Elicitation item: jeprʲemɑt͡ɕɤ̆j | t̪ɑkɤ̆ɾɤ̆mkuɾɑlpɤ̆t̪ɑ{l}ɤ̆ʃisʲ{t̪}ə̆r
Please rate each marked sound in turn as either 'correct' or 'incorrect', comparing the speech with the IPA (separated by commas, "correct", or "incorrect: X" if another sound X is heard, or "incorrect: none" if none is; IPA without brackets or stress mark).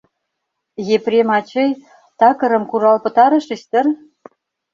incorrect: ɾ, correct